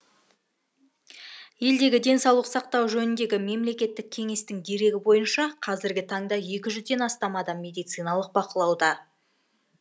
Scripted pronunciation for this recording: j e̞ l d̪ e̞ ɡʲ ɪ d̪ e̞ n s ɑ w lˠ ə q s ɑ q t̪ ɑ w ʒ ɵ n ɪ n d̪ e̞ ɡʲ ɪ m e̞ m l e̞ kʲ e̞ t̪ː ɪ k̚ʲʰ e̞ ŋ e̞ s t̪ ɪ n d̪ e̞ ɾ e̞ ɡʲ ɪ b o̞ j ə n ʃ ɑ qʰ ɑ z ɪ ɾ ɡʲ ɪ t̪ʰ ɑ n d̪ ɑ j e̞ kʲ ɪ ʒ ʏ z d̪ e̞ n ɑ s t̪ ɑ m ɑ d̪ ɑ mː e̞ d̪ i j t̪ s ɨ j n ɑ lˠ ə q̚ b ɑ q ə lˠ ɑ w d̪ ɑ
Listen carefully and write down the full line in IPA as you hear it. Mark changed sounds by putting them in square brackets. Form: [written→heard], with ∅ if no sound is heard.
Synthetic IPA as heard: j e̞ l d̪ e̞ ɡʲ ɪ d̪ e̞ n s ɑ w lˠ ə q s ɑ q t̪ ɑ w ʒ ɵ n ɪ n d̪ e̞ ɡʲ ɪ m e̞ m l e̞ kʲ e̞ t̪ː ɪ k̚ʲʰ e̞ ŋ e̞ s t̪ ɪ [n→ŋ] d̪ e̞ ɾ e̞ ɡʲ ɪ b o̞ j ə n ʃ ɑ qʰ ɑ z ɪ ɾ ɡʲ ɪ t̪ʰ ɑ [n→ɴ] d̪ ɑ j e̞ kʲ ɪ ʒ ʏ z d̪ e̞ n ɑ s t̪ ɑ m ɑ d̪ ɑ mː e̞ d̪ i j t̪ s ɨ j n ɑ lˠ ə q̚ b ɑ q ə lˠ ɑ w d̪ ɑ

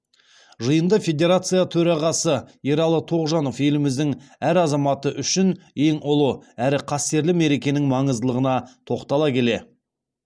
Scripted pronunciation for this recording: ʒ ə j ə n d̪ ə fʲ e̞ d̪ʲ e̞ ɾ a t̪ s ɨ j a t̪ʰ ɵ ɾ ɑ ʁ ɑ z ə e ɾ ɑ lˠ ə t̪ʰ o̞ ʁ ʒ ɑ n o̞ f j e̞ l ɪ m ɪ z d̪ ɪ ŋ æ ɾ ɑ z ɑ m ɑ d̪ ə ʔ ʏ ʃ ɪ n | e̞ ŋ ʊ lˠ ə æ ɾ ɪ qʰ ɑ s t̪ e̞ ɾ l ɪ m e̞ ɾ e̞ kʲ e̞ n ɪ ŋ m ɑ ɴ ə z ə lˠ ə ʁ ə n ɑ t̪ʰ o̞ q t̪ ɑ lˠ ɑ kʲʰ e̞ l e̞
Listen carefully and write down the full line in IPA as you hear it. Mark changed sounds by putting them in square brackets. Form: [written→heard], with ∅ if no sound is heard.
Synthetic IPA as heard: ʒ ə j ə n d̪ ə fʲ e̞ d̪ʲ e̞ ɾ a t̪ s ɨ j a t̪ʰ ɵ ɾ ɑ ʁ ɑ [z→s] ə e ɾ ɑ lˠ ə t̪ʰ o̞ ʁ ʒ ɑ n o̞ f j e̞ l ɪ m ɪ z d̪ ɪ ŋ æ ɾ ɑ z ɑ m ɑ [d̪→t̪] ə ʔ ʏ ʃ ɪ n | e̞ ŋ ʊ lˠ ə æ ɾ ɪ qʰ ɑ s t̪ e̞ ɾ l ɪ m e̞ ɾ e̞ kʲ e̞ n ɪ ŋ m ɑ ɴ ə z ə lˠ ə ʁ ə n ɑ t̪ʰ o̞ q t̪ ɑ lˠ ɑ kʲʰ e̞ l e̞

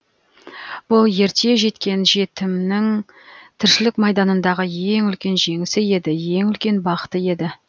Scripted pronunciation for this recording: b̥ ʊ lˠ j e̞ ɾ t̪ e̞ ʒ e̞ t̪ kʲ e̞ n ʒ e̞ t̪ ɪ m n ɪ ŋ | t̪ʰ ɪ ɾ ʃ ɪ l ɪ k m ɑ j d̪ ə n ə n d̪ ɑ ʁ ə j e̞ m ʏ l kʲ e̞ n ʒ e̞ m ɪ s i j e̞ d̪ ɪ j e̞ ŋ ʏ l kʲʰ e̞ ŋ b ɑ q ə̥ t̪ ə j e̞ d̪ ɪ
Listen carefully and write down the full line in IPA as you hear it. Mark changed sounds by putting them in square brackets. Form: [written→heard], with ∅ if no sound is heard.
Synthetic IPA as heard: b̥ ʊ lˠ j e̞ ɾ t̪ e̞ ʒ e̞ t̪ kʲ e̞ n ʒ e̞ t̪ ɪ m n ɪ ŋ | t̪ʰ ɪ ɾ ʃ ɪ l ɪ k m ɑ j d̪ [ə→ɑ] n ə n d̪ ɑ ʁ ə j e̞ [m→ŋ] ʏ l kʲ e̞ n ʒ e̞ [m→ŋ] ɪ s [i→ɪ] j e̞ d̪ ɪ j e̞ ŋ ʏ l [kʲʰ→kʲ] e̞ [ŋ→n] b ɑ q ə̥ t̪ ə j e̞ d̪ ɪ

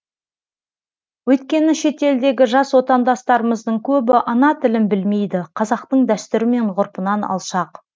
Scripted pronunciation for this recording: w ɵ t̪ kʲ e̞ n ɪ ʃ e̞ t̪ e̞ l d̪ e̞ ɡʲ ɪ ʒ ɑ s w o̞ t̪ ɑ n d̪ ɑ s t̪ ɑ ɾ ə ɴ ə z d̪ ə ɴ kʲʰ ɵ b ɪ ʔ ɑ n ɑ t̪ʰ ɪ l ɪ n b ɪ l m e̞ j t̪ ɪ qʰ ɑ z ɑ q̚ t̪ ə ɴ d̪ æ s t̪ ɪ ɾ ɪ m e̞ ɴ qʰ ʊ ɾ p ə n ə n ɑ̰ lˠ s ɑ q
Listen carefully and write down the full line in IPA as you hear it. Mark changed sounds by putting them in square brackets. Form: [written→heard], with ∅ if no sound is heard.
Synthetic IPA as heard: w ɵ t̪ kʲ e̞ n ɪ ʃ e̞ t̪ e̞ l d̪ e̞ ɡʲ ɪ ʒ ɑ s w o̞ t̪ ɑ n d̪ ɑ s t̪ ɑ ɾ ə [ɴ→m] ə z d̪ ə ɴ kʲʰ ɵ b ɪ ʔ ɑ n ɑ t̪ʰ ɪ l ɪ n b ɪ l m e̞ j [t̪→d̪] ɪ qʰ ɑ z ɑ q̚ t̪ ə ɴ d̪ æ s t̪ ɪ ɾ ɪ m e̞ ɴ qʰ ʊ ɾ p ə n [ə→ɑ] n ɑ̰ lˠ [s→ʃ] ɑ q

